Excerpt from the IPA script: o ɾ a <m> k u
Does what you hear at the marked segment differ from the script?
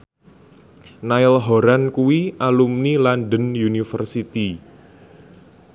yes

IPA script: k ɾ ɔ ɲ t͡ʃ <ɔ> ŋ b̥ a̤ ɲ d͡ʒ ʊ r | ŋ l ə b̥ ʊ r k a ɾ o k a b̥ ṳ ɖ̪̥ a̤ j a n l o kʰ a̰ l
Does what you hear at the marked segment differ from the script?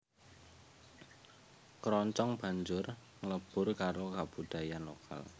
no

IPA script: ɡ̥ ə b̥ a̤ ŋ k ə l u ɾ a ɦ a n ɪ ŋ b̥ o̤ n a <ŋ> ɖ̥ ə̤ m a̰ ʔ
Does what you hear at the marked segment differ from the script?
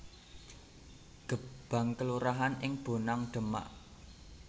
no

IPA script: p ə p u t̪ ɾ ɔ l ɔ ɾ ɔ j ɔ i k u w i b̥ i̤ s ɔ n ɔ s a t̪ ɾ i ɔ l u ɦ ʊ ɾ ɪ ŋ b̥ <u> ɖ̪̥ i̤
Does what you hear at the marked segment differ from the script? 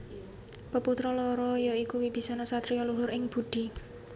no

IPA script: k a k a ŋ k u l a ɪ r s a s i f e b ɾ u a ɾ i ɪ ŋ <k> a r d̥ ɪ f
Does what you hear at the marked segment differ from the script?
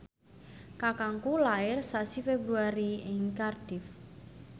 no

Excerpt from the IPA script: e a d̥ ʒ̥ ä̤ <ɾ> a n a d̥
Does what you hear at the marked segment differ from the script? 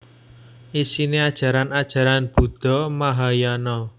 no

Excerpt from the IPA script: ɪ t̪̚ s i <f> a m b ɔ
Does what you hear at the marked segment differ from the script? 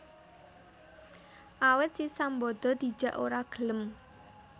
yes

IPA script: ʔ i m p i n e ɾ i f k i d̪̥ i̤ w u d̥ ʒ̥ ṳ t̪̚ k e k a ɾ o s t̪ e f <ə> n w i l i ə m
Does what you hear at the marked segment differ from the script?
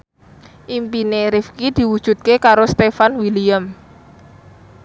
yes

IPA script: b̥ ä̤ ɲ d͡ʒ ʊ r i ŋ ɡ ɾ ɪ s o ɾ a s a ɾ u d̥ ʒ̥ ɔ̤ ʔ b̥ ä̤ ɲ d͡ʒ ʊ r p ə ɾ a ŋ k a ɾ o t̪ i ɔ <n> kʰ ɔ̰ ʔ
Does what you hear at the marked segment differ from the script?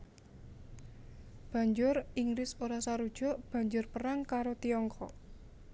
yes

